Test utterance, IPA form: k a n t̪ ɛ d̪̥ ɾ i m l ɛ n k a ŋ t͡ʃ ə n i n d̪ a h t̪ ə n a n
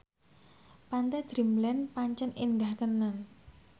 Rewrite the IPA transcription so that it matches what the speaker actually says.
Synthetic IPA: p a n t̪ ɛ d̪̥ ɾ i m l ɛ n p a ɲ t͡ʃ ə n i n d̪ a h t̪ ə n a n

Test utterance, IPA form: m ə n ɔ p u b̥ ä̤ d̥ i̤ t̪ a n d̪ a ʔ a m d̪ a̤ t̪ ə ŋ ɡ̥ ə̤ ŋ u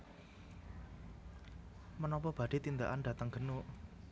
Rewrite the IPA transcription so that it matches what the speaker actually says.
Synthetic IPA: m ə n ɔ p ɔ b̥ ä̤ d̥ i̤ t̪ i n d̪ a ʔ a n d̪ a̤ t̪ ə ŋ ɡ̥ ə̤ n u

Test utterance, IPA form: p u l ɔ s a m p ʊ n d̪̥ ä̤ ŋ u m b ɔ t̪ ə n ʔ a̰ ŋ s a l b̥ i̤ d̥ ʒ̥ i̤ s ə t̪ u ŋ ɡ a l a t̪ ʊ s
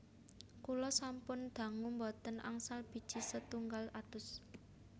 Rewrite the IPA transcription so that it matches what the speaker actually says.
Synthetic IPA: k u l ɔ s a m p ʊ n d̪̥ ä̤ ŋ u m b ɔ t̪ ə n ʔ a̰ ŋ s a l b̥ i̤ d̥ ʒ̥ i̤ s ə t̪ u ŋ ɡ a l a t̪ ʊ s

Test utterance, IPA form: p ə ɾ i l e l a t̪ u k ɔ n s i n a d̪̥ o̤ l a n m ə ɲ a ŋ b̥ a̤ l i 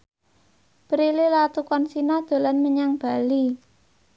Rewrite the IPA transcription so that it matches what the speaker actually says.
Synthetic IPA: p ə ɾ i l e l a t̪ u k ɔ n s i n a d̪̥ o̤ l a n m ə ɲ a ŋ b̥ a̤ l i

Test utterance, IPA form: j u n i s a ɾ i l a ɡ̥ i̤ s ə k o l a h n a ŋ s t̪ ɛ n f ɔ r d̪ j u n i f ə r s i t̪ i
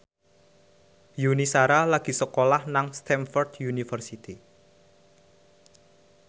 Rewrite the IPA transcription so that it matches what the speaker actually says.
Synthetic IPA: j u n i s a ɾ a l a ɡ̥ i̤ s ə k o l a h n a ŋ s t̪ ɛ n f ɔ r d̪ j u n i f ə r s i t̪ i

